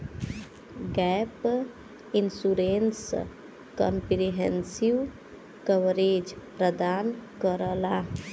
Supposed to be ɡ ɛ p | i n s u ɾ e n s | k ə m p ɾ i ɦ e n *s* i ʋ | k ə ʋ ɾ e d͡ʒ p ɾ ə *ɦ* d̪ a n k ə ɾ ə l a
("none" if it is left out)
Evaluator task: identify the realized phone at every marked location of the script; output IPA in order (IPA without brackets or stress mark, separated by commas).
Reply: s, none